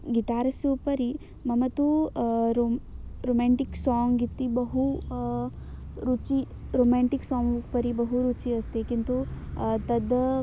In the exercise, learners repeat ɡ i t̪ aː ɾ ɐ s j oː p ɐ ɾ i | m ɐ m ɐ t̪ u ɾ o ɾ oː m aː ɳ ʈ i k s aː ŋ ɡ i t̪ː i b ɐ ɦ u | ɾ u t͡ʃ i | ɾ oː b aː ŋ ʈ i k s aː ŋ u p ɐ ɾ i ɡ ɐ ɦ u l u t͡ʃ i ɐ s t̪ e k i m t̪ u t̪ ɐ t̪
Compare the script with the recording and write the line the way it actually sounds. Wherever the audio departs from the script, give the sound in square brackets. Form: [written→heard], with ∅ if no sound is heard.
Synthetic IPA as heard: ɡ i t̪ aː ɾ ɐ s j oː p ɐ ɾ i | m ɐ m ɐ t̪ u ɾ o ɾ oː m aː ɳ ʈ i k s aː ŋ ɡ i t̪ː i b ɐ ɦ u | ɾ u t͡ʃ i | ɾ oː [b→m] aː [ŋ→ɳ] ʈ i k s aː ŋ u p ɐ ɾ i [ɡ→b] ɐ ɦ u [l→ɾ] u t͡ʃ i ɐ s t̪ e k i [m→n] t̪ u t̪ ɐ [t̪→d̪]